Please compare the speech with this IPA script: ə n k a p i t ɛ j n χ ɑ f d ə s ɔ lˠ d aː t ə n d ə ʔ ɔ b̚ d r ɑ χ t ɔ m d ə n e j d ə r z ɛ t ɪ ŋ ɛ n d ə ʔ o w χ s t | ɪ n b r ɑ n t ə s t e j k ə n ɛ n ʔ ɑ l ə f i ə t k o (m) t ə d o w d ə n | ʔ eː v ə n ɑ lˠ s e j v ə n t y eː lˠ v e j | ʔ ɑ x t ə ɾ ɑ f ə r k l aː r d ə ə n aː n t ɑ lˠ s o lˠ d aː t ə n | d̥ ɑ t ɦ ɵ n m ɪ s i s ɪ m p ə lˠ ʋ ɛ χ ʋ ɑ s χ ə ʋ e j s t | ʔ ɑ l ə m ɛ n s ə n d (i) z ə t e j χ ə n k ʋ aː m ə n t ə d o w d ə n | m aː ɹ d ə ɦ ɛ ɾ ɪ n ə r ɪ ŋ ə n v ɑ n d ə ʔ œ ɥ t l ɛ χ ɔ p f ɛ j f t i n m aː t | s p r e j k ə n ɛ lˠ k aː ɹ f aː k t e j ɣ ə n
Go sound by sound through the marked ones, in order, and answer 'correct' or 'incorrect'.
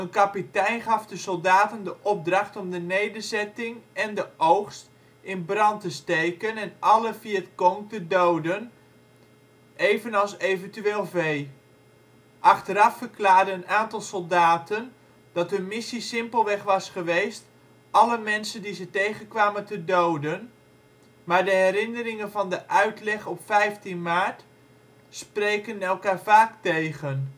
incorrect, correct

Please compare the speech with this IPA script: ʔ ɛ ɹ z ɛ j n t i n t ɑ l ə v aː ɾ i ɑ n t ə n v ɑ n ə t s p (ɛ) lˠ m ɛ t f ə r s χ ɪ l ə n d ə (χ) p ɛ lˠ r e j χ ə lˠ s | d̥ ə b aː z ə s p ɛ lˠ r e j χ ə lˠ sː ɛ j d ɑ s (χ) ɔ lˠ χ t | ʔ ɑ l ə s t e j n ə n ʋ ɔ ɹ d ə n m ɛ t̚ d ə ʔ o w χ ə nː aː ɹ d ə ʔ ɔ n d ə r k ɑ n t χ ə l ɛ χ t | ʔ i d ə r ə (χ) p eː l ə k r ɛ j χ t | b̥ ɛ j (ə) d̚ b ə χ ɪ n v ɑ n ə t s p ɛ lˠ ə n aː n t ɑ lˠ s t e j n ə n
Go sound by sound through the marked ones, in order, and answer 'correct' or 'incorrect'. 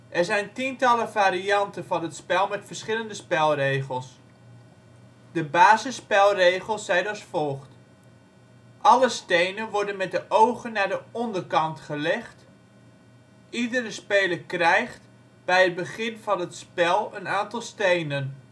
correct, incorrect, incorrect, incorrect, correct

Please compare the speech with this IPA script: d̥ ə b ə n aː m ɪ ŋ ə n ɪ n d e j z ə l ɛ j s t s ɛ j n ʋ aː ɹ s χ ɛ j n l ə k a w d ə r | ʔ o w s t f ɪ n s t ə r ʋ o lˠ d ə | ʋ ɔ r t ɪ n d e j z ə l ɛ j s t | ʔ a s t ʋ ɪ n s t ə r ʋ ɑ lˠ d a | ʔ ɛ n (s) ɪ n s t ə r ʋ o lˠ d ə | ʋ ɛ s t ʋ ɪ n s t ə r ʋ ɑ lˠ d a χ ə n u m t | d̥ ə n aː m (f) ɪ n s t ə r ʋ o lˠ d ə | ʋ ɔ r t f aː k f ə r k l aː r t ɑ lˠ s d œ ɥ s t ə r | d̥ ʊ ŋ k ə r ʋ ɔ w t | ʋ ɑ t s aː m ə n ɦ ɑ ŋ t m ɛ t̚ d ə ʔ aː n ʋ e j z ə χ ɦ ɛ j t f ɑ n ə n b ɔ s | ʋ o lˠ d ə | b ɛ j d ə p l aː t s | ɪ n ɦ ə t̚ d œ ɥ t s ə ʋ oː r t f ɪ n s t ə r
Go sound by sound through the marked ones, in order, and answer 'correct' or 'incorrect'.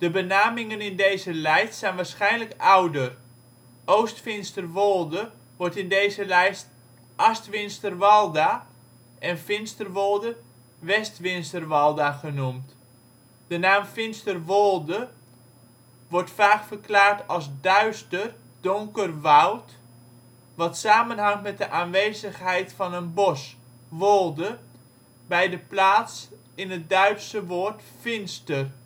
incorrect, correct

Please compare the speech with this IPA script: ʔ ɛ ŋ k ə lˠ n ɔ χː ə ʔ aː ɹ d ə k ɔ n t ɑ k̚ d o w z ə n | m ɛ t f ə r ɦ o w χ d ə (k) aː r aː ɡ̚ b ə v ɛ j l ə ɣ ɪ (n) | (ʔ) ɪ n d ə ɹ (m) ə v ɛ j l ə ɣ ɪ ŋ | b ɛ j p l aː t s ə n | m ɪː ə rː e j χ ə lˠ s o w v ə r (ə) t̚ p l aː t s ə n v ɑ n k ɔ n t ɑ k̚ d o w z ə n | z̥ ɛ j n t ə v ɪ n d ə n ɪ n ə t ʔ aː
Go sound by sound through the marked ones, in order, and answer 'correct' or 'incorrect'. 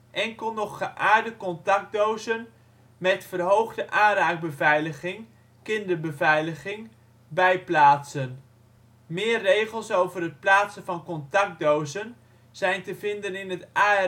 incorrect, incorrect, incorrect, incorrect, correct

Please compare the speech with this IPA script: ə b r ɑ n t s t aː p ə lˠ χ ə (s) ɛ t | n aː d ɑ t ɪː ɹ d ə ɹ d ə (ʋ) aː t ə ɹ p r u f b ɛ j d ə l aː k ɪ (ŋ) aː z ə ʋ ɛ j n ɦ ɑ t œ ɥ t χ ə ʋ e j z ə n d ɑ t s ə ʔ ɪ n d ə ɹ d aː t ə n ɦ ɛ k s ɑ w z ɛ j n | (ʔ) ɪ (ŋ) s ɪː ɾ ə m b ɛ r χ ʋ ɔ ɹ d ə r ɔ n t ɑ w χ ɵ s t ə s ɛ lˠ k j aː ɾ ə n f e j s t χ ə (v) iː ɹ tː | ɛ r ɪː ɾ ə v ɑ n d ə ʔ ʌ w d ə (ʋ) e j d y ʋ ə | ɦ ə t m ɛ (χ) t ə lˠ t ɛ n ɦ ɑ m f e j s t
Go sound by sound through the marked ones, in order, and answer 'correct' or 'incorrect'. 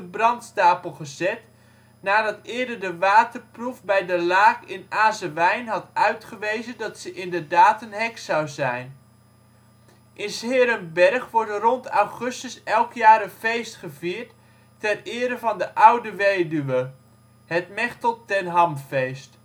incorrect, correct, incorrect, correct, incorrect, correct, correct, correct

